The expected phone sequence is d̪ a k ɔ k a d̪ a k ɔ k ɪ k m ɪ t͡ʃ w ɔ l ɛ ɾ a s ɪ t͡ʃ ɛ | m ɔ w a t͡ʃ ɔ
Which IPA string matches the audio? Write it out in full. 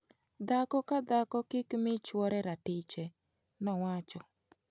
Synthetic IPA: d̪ a k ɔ k a d̪ a k ɔ k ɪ k m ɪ t͡ʃ w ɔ ɾ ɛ ɾ a t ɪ t͡ʃ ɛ | n ɔ w a t͡ʃ ɔ